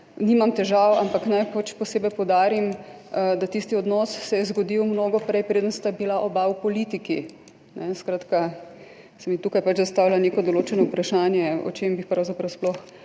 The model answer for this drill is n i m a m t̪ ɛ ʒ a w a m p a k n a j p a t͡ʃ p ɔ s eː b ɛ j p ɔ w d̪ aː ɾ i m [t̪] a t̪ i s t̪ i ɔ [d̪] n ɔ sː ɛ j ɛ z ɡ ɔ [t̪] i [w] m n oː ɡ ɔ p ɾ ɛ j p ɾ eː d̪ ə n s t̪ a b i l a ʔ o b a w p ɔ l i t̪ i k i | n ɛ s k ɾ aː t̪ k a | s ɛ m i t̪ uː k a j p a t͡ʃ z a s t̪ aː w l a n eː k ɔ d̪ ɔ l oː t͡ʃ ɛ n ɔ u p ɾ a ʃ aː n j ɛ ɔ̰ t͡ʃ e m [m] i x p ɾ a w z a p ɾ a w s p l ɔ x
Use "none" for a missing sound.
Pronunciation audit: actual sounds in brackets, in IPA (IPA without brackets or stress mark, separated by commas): d̪, d̪, d̪, w, b